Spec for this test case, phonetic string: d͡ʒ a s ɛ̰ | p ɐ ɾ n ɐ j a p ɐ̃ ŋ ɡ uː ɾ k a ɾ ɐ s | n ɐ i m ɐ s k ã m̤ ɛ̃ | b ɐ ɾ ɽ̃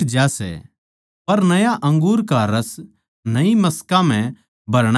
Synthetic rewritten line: d͡ʒ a s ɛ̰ | p ɐ ɾ n ɐ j a ʔ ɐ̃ ŋ ɡ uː ɾ k a ɾ ɐ s | n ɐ i m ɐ s k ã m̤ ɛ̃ | b ɐ ɾ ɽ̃